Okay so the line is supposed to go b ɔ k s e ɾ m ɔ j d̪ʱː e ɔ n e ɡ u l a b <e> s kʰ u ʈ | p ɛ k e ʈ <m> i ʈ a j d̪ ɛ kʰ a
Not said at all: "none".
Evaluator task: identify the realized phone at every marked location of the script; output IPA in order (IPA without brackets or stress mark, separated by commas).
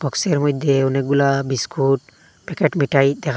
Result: i, m